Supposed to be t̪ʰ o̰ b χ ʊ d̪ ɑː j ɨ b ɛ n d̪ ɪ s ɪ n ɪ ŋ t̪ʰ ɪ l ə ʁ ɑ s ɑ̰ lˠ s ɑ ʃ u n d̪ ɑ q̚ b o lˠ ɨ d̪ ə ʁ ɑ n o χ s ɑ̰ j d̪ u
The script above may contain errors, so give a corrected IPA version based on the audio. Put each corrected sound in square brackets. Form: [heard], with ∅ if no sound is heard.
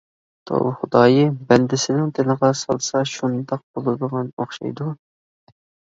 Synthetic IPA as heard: t̪ʰ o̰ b χ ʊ d̪ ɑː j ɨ b ɛ n d̪ ɪ s ɪ n ɪ ŋ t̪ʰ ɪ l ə ʁ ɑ s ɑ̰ lˠ s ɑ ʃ u n d̪ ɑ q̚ b o lˠ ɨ d̪ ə ʁ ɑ n o χ [ʃ] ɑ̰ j d̪ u